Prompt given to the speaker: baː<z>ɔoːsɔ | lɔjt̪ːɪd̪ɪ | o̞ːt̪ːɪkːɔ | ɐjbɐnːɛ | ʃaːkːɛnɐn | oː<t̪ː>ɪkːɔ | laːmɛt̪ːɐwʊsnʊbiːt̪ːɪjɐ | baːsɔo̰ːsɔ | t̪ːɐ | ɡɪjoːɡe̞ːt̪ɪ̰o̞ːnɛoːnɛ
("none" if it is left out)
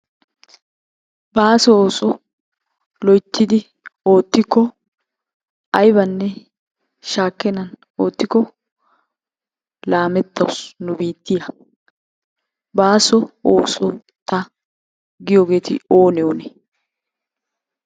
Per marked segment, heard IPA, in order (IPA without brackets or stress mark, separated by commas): s, t̪ː